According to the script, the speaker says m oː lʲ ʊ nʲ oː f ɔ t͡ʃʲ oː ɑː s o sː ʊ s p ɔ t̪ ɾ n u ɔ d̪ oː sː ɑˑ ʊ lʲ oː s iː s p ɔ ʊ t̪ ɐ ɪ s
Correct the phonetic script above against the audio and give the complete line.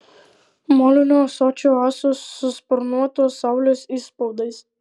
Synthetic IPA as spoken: m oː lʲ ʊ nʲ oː s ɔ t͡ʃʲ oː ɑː s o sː ʊ s p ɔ ɾ n u ɔ t̪ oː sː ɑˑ ʊ lʲ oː s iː s p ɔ ʊ d̪ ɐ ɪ s